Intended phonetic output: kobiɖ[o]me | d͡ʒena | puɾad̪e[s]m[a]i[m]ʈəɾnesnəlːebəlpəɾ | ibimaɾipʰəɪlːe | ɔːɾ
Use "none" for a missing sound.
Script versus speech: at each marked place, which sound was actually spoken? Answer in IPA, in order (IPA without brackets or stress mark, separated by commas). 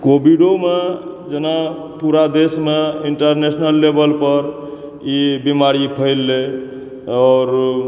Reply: o, s, e, ɳ